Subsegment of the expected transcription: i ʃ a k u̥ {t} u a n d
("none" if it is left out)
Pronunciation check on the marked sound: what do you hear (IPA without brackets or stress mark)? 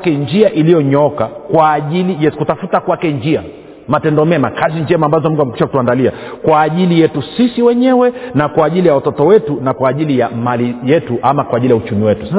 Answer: t